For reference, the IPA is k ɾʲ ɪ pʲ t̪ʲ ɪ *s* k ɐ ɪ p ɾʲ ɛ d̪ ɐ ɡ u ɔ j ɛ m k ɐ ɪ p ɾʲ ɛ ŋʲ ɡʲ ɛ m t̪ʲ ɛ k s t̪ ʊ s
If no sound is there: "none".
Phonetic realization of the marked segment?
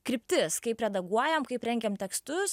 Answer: s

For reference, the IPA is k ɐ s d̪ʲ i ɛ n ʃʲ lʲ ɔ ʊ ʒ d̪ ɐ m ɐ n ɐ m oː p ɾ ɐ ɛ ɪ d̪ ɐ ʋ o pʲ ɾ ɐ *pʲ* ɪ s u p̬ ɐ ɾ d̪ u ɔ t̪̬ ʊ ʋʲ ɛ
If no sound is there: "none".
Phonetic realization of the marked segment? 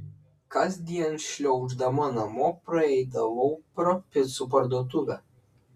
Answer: pʲ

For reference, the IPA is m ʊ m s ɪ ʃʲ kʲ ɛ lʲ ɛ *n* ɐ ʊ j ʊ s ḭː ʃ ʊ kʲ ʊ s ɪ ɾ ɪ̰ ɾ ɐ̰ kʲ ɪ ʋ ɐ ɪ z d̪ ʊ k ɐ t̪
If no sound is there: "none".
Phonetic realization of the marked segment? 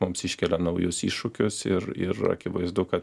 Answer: n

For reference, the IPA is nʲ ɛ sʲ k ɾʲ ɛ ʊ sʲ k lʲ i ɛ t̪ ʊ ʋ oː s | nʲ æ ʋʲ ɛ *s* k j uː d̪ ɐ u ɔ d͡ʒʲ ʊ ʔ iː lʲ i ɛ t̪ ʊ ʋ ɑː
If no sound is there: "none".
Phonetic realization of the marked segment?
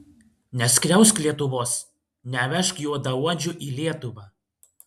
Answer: ʃ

